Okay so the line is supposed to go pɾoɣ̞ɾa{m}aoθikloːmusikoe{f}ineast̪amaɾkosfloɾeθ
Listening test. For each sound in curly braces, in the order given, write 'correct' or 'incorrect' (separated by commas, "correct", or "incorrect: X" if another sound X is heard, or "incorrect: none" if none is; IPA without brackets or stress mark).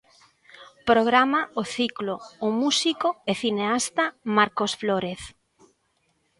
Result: correct, incorrect: θ